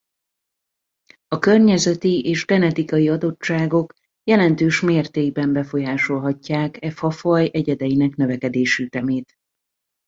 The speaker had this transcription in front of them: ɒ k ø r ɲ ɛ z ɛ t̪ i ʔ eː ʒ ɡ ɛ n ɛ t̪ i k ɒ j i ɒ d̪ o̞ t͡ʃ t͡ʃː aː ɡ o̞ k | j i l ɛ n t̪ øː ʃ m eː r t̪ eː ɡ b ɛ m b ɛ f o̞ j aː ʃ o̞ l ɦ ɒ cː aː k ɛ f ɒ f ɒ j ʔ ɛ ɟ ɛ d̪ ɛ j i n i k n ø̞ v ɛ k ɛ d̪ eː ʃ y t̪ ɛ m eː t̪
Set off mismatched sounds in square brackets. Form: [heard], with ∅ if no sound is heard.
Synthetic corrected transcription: ɒ k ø r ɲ ɛ z ɛ t̪ i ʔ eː ʒ ɡ ɛ n ɛ t̪ i k ɒ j i ɒ d̪ o̞ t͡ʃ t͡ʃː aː ɡ o̞ k | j [ɛ] l ɛ n t̪ øː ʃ m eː r t̪ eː ɡ b ɛ m b ɛ f o̞ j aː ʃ o̞ l ɦ ɒ cː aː k ɛ f ɒ f ɒ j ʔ ɛ ɟ ɛ d̪ ɛ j i n [ɛ] k n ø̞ v ɛ k ɛ d̪ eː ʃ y t̪ ɛ m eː t̪

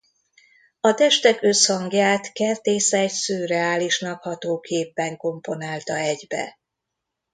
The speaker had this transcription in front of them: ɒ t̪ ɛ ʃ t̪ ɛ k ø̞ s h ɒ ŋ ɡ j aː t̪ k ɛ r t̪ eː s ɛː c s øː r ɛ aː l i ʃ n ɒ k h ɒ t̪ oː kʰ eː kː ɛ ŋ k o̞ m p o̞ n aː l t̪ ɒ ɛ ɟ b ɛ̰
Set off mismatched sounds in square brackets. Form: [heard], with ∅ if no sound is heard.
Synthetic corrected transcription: ɒ t̪ ɛ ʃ t̪ ɛ k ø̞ s h ɒ ŋ ɡ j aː t̪ k ɛ r t̪ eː s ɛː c s øː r ɛ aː l i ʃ n ɒ k h ɒ t̪ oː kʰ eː [pː] ɛ ŋ k o̞ m p o̞ n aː l t̪ ɒ ɛ ɟ b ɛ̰

